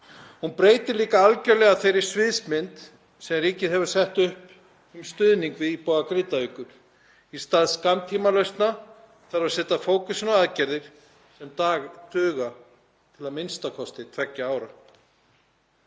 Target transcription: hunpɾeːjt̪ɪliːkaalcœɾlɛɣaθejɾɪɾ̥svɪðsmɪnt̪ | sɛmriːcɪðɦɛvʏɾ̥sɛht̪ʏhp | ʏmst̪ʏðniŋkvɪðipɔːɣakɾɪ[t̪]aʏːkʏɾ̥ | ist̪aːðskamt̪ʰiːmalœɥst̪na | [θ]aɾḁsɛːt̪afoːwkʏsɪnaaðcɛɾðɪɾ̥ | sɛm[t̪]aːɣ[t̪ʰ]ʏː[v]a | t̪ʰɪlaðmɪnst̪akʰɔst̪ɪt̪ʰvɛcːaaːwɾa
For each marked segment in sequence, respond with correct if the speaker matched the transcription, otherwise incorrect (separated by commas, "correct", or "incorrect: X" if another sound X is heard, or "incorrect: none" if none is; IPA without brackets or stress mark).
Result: correct, correct, correct, incorrect: t̪, incorrect: ɣ